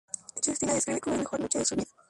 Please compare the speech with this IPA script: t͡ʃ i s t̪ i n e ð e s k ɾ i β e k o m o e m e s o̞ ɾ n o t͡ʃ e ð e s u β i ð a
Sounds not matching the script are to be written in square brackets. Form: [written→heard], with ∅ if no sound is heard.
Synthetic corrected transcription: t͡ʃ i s t̪ i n [e→a] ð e s k ɾ i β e k o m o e m e [s→x] o̞ ɾ n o t͡ʃ e ð e s u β i ð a